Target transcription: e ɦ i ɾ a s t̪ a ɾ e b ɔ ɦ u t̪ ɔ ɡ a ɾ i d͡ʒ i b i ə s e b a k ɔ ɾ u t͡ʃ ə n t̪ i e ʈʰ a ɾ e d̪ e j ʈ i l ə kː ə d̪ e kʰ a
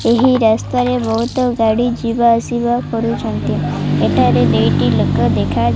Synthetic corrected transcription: e ɦ i ɾ a s t̪ a ɾ e b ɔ ɦ u t̪ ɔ ɡ a ɽ i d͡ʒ i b a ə s i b a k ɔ ɾ u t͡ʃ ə n t̪ i e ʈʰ a ɾ e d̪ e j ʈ i l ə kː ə d̪ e kʰ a